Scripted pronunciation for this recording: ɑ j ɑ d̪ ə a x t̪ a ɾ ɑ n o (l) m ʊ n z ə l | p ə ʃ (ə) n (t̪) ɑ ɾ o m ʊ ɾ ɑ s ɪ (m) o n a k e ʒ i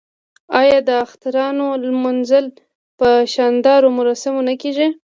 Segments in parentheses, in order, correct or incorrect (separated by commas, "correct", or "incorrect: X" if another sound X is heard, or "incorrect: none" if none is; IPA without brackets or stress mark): correct, incorrect: ɑ, incorrect: d̪, correct